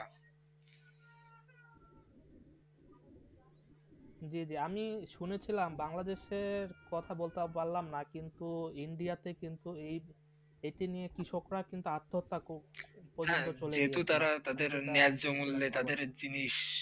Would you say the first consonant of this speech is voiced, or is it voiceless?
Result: voiced